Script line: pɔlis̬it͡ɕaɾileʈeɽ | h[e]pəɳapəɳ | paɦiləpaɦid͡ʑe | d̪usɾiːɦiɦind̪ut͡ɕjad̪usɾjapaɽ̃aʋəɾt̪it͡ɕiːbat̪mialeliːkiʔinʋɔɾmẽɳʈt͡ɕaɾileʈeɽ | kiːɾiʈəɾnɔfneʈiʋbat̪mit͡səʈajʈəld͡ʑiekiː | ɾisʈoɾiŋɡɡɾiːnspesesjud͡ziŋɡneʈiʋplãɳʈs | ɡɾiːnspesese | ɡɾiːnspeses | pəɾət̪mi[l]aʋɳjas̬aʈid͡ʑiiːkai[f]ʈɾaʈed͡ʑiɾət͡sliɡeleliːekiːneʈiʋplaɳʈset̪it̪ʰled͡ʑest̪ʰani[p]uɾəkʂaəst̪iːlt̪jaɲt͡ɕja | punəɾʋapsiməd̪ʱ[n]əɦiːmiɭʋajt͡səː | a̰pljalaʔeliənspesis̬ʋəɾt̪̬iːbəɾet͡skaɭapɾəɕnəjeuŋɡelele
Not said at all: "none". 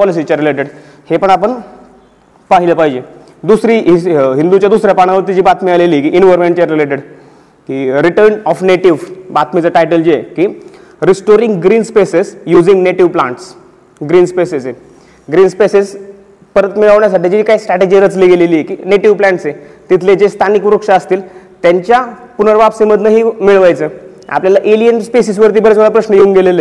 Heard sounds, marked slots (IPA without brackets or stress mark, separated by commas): e, ɭ, s, k, n